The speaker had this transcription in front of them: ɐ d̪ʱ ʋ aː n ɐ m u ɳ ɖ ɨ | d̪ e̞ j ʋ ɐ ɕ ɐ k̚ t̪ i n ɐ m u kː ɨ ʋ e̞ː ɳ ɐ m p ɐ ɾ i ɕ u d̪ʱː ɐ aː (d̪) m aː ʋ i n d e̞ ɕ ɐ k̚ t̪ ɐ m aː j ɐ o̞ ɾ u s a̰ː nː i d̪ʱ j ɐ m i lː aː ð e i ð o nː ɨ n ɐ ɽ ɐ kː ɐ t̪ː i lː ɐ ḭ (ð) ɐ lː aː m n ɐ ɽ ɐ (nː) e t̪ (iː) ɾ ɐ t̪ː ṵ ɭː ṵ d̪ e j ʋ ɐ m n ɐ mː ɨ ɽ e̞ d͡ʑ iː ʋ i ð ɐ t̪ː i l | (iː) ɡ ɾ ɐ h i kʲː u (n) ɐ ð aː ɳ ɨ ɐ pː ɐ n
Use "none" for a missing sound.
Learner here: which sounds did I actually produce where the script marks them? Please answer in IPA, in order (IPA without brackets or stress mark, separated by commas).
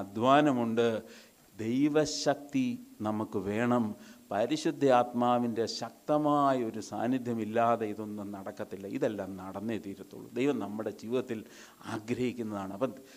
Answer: t̪, ð, nː, iː, aː, nː